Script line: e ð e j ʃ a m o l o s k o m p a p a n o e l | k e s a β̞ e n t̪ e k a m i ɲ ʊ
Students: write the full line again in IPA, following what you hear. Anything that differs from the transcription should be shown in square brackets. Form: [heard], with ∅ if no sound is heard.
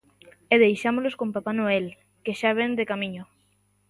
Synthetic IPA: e ð e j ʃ a m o l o s k o m p a p a n o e l | k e [ʃ] a β̞ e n [d̪] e k a m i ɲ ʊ